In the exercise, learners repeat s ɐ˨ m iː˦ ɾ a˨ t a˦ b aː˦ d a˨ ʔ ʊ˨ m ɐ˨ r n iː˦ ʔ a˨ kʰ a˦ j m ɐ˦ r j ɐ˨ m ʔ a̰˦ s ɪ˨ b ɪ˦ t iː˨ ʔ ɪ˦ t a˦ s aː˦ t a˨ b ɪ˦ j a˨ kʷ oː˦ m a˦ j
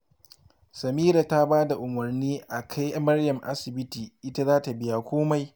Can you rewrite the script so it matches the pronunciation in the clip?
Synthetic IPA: s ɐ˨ m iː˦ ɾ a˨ t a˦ b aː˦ d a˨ ʔ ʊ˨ m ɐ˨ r n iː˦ ʔ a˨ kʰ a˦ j m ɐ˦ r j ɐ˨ m ʔ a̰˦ s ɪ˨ b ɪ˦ t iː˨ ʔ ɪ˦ t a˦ z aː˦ t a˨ b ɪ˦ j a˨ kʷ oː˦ m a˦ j